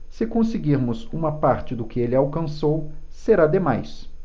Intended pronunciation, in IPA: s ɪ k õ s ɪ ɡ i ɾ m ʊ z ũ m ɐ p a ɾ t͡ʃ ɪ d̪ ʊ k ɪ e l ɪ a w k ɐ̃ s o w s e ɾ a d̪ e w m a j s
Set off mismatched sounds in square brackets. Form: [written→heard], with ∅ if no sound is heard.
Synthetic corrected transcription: s ɪ k õ s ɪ ɡ i ɾ m ʊ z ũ m ɐ p a ɾ t͡ʃ ɪ d̪ ʊ k ɪ e l ɪ a w k ɐ̃ s o w s e ɾ a d̪ e [w→∅] m a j s